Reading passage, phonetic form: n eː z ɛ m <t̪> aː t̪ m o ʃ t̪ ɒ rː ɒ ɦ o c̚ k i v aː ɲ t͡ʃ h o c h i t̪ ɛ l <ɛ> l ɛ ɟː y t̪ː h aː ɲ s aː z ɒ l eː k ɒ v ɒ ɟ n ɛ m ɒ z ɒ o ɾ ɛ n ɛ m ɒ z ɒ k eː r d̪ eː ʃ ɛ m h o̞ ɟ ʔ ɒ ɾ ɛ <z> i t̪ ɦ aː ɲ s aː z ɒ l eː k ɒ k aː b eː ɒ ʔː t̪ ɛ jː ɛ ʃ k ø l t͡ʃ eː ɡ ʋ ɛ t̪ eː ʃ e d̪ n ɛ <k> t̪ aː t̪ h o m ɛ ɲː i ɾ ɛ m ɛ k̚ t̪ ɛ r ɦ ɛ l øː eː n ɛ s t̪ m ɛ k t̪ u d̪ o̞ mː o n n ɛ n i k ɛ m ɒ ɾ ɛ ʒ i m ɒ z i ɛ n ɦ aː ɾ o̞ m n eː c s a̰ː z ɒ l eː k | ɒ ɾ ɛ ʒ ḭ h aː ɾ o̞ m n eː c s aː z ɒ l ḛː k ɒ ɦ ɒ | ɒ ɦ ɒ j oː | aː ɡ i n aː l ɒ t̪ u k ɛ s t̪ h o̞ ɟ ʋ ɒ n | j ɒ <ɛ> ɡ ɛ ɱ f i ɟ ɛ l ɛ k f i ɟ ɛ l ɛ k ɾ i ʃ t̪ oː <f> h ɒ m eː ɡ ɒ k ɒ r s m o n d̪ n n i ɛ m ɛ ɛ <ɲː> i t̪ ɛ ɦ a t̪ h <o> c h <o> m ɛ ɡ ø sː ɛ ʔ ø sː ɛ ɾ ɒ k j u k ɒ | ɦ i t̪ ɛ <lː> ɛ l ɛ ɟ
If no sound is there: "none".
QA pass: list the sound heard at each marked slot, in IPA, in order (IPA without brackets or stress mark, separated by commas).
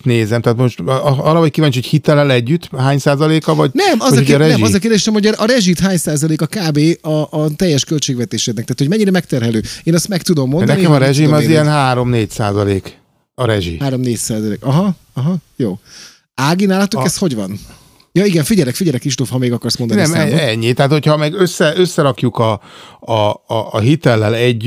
t̪, ɛ, ʒ, k, i, f, ɲː, o, ɒ, lː